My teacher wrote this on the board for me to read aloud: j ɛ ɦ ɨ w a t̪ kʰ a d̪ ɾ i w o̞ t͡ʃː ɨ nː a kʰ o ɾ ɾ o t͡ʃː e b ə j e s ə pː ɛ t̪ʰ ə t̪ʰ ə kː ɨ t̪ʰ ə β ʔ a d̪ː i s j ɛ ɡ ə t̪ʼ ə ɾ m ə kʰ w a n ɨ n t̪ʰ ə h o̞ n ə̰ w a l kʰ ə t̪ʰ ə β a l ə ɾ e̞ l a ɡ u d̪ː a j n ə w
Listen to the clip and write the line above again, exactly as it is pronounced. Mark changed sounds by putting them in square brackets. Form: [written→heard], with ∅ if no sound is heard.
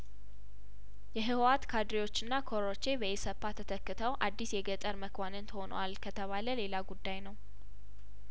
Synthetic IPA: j ɛ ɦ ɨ w a t̪ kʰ a d̪ ɾ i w o̞ t͡ʃː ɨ nː a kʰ o ɾ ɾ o t͡ʃː e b ə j e s ə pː [ɛ→a] t̪ʰ ə t̪ʰ ə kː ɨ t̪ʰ ə [β→w] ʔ a d̪ː i s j ɛ ɡ ə t̪ʼ ə ɾ m ə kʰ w a n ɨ n t̪ʰ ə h o̞ n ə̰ w a l kʰ ə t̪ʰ ə β a l ə [ɾ→l] e̞ l a ɡ u d̪ː a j n ə w